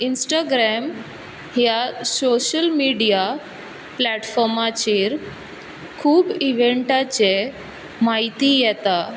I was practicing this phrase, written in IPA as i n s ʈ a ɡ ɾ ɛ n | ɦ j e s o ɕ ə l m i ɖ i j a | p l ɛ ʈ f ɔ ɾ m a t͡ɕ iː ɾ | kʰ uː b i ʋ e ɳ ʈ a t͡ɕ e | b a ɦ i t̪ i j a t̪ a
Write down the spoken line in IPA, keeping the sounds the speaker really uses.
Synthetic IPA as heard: i n s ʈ a ɡ ɾ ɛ m | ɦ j a s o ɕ ə l m i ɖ i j a | p l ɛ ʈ f ɔ ɾ m a t͡ɕ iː ɾ | kʰ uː b i ʋ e ɳ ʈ a t͡ɕ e | m a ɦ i t̪ i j ɛ t̪ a